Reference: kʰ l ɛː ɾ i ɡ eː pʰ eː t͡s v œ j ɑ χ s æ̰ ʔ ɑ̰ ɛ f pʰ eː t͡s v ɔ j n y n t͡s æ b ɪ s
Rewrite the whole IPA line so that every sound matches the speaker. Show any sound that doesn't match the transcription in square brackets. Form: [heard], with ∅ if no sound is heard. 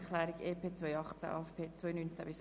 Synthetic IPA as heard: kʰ l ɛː ɾ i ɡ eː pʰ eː t͡s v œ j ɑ χ [t͡s] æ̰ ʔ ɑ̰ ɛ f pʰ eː t͡s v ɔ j n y n t͡s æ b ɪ s